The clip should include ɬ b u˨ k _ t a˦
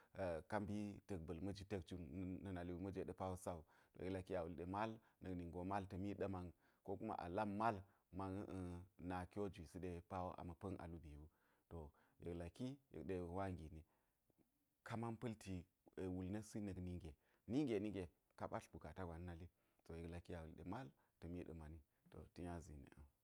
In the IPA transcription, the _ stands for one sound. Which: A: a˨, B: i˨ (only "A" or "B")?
A